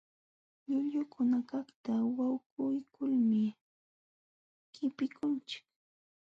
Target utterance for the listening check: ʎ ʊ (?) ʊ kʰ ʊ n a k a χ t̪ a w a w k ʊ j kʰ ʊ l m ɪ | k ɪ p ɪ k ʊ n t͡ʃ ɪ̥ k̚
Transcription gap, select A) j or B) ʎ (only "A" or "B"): B